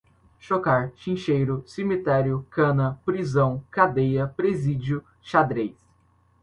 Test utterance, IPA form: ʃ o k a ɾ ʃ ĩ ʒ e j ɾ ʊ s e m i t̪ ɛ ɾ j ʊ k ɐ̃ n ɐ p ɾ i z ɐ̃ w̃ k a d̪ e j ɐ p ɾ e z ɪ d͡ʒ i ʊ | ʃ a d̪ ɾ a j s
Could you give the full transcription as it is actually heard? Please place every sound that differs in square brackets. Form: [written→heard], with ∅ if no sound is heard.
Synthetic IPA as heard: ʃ o k a ɾ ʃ ĩ [ʒ→ʃ] e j ɾ ʊ s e m i t̪ ɛ ɾ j ʊ k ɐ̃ n ɐ p ɾ i z ɐ̃ w̃ k a d̪ e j ɐ p ɾ e z [ɪ→i] d͡ʒ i ʊ | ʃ a d̪ ɾ [a→e] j s